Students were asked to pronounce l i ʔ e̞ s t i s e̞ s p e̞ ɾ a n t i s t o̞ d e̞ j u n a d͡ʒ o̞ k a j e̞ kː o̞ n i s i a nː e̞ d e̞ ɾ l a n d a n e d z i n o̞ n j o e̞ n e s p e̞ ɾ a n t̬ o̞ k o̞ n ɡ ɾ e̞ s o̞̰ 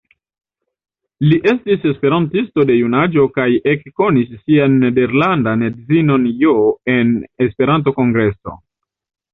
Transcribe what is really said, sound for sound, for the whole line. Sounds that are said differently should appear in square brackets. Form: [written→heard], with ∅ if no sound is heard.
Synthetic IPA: l i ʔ e̞ s t i s e̞ s p e̞ ɾ a n t i s t o̞ d e̞ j u n a d͡ʒ o̞ k a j e̞ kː o̞ n i [s→sː] i a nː e̞ d e̞ ɾ l a n d a n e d z i n o̞ n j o e̞ n e s p e̞ ɾ a n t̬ o̞ k o̞ [n→ŋ] ɡ ɾ e̞ s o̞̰